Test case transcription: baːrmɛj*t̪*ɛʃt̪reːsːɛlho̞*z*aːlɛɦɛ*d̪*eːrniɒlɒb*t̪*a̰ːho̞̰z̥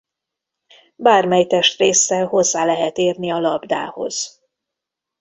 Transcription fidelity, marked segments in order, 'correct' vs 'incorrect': correct, incorrect: zː, incorrect: t̪, incorrect: d̪

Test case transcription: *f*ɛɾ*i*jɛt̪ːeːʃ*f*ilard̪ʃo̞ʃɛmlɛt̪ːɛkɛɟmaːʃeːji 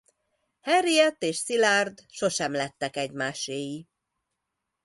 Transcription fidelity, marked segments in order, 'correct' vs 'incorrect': incorrect: h, correct, incorrect: s

